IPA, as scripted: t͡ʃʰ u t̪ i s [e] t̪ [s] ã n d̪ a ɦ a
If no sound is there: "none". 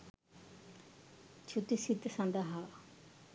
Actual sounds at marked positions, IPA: i, s

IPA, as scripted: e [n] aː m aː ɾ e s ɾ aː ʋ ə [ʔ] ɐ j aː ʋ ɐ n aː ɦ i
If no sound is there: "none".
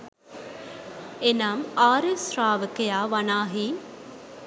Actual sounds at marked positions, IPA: n, k

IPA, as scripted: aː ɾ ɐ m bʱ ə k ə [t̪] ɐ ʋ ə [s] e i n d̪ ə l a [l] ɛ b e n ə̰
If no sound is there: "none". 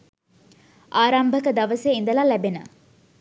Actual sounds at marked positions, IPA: d̪, s, l

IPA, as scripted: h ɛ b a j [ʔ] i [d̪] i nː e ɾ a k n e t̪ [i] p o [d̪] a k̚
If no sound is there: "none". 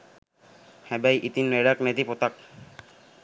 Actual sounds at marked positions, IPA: ʔ, t̪, i, t̪

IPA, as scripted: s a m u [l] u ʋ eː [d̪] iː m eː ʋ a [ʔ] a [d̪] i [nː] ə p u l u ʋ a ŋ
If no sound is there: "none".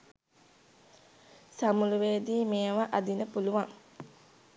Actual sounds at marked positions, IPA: l, d̪, ʔ, d̪, n

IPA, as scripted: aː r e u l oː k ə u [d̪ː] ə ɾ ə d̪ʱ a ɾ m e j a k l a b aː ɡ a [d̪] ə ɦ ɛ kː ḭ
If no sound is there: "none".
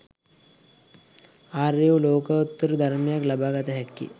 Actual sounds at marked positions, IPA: t̪ː, t̪

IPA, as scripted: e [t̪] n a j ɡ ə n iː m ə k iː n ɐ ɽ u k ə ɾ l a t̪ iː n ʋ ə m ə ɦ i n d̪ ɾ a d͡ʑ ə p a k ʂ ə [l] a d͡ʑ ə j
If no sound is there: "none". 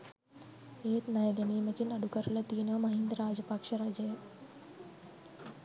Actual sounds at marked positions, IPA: t̪, ɾ

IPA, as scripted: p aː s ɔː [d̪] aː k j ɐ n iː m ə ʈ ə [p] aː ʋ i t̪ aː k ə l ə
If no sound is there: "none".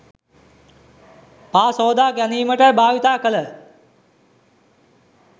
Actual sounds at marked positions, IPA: d̪, b

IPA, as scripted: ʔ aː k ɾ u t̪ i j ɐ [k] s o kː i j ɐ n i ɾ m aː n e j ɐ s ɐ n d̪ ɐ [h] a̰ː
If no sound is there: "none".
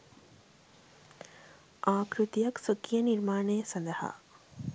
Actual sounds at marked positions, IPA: k, h

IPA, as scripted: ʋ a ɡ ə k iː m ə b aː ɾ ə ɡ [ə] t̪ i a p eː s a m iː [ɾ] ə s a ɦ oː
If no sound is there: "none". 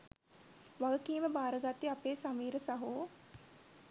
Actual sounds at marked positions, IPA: a, ɾ

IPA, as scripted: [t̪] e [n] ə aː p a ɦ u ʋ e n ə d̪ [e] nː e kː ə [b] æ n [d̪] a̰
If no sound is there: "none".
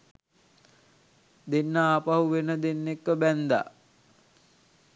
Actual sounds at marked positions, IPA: d̪, nː, e, b, d̪

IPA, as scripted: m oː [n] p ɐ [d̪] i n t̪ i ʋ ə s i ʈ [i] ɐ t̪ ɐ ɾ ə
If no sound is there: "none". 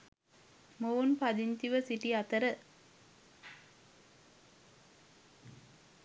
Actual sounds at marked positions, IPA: n, d̪, i

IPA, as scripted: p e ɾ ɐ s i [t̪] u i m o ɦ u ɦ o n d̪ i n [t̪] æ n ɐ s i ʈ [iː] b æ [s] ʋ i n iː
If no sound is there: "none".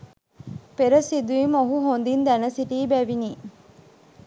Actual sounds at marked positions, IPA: d̪, d̪, iː, none

